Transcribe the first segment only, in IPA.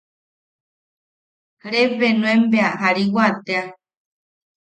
ɾ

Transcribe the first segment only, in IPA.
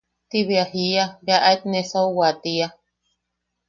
t̪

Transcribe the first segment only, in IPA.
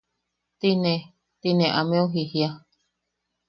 t̪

